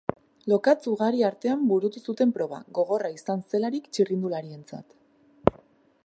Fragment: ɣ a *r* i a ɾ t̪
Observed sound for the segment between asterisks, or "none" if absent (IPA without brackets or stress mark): ɾ